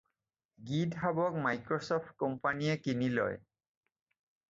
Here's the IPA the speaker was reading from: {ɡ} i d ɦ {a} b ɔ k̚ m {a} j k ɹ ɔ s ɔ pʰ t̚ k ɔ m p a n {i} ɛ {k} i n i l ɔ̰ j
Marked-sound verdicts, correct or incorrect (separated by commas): correct, correct, correct, correct, correct